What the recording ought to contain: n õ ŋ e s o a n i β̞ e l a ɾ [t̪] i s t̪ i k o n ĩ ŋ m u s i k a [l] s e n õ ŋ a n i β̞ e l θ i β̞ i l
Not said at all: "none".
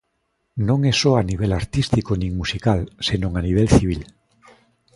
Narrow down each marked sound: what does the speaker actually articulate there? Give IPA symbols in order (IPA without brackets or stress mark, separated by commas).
t̪, l